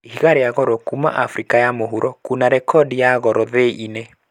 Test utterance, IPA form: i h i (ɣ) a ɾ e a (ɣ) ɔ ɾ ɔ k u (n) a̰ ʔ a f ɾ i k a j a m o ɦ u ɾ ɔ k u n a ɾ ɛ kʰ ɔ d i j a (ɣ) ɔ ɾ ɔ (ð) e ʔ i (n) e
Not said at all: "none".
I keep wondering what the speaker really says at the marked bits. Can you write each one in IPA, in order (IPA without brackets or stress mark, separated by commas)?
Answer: ɣ, ɣ, m, ɣ, ð, n